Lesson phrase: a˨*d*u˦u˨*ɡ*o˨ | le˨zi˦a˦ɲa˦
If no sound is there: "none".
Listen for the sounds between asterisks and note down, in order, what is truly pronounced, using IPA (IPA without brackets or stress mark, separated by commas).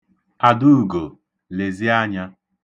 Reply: d, ɡ